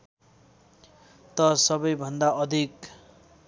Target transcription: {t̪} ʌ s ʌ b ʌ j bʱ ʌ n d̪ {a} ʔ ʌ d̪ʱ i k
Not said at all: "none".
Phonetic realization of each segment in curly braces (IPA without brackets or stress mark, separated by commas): t̪, a